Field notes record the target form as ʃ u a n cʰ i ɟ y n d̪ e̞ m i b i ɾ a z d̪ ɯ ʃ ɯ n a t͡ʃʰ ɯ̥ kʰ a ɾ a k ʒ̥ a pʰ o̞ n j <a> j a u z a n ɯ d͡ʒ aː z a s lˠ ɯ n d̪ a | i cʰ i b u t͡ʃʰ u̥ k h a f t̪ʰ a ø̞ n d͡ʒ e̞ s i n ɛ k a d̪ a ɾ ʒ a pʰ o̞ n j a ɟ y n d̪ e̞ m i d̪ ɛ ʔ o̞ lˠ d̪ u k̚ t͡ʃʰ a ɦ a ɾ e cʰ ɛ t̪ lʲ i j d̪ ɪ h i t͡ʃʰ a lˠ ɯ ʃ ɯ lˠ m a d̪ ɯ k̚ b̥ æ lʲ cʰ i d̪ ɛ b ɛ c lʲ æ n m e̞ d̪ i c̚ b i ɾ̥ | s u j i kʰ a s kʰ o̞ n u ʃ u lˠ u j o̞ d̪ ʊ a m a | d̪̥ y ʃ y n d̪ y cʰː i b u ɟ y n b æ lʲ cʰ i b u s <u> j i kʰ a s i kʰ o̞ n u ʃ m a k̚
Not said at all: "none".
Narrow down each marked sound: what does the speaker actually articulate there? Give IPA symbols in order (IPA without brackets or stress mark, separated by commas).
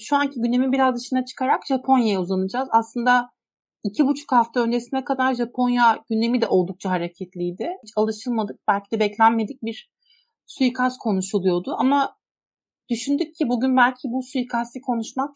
a, u